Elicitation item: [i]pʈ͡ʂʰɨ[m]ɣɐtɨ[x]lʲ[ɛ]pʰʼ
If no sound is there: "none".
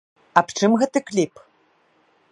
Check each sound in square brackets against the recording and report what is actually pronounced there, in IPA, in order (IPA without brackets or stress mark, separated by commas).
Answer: a, m, k, i